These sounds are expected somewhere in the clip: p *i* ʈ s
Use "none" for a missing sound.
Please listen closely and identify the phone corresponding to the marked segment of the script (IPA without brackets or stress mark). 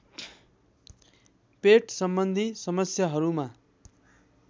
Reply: e